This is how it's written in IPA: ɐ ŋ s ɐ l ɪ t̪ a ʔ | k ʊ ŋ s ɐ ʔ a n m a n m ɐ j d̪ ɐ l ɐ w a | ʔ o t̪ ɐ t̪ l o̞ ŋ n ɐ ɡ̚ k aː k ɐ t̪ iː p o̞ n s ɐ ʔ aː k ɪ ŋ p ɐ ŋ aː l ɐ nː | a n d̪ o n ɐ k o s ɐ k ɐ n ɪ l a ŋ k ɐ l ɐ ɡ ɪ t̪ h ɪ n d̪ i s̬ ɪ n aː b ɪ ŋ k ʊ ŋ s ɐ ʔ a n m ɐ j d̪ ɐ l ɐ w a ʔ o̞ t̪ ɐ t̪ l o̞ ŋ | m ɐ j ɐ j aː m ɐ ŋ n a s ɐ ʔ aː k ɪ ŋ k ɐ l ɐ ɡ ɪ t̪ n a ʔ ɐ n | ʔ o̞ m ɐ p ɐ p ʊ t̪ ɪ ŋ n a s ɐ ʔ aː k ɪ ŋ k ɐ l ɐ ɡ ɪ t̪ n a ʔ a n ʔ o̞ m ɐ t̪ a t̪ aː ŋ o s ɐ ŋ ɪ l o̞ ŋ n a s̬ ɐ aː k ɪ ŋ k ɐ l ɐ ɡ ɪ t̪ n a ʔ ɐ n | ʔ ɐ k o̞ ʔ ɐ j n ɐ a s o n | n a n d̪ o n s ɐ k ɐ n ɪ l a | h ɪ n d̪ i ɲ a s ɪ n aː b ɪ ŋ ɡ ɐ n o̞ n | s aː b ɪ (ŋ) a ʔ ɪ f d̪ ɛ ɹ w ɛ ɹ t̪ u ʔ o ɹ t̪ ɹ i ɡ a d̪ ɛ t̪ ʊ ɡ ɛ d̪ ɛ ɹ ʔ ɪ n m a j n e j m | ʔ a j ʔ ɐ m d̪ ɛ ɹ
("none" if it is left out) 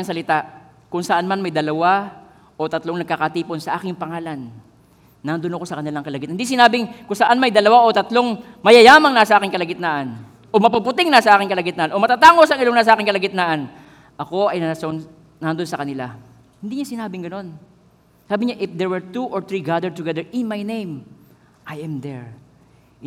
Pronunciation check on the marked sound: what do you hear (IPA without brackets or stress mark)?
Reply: ɲ